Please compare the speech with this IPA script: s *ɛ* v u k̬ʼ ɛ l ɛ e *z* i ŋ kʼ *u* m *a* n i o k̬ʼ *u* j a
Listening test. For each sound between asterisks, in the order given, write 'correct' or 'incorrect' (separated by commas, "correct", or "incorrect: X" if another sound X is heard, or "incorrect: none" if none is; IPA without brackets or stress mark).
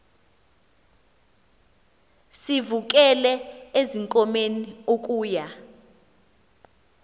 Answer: incorrect: i, correct, incorrect: ɔ, incorrect: e, incorrect: uː